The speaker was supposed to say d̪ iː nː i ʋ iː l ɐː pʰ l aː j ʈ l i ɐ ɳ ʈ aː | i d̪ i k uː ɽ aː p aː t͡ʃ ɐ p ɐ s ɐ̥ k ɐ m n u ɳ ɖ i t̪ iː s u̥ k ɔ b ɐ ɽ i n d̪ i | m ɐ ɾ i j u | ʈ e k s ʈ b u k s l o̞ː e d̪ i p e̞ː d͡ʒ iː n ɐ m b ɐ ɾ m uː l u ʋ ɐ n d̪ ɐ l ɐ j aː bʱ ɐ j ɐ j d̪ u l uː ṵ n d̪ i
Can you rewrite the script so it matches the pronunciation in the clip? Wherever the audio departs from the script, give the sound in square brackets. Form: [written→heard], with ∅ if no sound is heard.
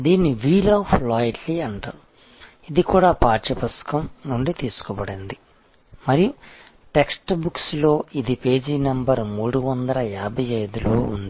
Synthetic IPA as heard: d̪ iː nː i ʋ iː l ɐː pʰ l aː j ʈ l i ɐ ɳ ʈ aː | i d̪ i k uː ɽ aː p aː t͡ʃ ɐ p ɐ s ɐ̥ k ɐ m n u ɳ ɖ i t̪ iː s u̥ k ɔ b ɐ ɽ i n d̪ i | m ɐ ɾ i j u | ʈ e k s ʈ b u k s l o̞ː [e→i] d̪ i p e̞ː d͡ʒ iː n ɐ m b ɐ ɾ m uː [l→ɽ] u ʋ ɐ n d̪ ɐ l ɐ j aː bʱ ɐ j ɐ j d̪ u l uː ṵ n d̪ i